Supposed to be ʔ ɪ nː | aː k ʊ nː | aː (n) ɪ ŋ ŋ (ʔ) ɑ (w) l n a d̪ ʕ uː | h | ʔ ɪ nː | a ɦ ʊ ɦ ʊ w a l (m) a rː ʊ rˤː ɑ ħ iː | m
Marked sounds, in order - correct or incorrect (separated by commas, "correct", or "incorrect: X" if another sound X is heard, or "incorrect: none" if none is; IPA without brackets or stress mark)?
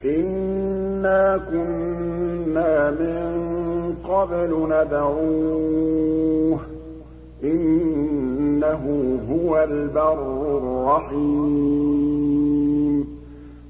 incorrect: m, incorrect: q, incorrect: b, incorrect: b